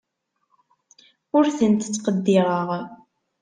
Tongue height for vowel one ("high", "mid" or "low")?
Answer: high